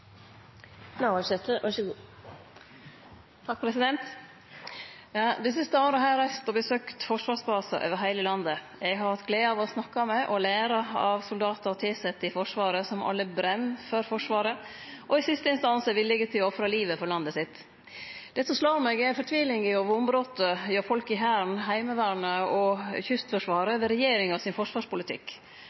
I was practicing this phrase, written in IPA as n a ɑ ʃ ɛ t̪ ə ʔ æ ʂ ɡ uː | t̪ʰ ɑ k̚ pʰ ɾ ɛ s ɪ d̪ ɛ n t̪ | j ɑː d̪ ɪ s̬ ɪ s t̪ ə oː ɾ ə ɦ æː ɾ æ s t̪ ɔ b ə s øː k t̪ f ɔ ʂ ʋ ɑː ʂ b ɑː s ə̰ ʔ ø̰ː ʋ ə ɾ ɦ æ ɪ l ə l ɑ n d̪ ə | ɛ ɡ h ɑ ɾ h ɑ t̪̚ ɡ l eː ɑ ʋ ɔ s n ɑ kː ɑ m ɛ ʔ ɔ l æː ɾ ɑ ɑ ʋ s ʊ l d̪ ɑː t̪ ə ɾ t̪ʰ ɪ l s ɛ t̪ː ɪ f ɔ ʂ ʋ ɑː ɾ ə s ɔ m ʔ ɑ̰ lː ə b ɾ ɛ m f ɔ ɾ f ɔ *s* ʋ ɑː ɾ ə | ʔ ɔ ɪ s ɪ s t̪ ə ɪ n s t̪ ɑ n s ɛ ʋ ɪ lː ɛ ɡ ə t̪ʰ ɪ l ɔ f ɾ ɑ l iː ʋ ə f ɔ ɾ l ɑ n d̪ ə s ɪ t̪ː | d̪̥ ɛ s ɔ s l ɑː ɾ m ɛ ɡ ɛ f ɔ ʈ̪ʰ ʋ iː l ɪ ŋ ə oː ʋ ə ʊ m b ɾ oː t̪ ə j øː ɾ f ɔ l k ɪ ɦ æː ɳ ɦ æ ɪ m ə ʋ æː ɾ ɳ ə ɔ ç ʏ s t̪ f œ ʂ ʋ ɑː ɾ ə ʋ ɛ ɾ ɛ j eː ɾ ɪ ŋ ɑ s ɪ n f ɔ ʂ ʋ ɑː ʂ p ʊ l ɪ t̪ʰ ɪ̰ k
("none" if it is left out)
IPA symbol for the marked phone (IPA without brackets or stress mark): ʂ